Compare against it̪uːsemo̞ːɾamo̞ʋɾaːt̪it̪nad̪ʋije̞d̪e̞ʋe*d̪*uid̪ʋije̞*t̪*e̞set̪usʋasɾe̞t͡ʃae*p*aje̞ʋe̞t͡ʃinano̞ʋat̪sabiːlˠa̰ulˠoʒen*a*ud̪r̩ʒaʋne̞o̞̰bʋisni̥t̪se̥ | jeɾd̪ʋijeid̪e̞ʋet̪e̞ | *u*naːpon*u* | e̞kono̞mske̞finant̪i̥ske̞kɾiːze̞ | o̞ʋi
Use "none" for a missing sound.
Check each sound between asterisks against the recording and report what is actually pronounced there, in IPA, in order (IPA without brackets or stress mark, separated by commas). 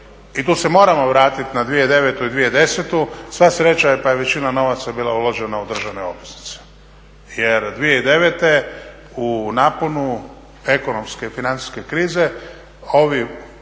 t̪, d̪, p, a, u, u